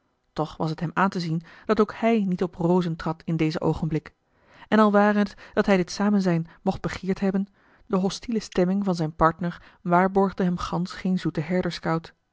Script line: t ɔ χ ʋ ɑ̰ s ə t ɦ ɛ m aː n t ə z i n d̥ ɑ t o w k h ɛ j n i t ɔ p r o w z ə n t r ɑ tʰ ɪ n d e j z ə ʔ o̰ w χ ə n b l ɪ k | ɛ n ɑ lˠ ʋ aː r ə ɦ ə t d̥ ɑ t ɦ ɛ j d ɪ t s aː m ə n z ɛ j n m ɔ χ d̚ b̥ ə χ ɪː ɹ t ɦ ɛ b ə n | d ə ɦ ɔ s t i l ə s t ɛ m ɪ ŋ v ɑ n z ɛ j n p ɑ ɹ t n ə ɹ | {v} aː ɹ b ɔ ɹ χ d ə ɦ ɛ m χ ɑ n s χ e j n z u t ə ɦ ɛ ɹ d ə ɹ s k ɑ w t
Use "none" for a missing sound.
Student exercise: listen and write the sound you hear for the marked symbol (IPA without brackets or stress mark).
ʋ